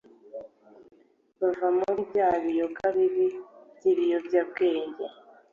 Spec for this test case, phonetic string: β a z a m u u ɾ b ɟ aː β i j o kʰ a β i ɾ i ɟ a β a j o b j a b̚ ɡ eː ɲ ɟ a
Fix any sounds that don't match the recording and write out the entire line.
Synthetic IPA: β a v a m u u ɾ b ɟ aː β i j o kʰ a β i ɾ i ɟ i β i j o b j a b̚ ɡ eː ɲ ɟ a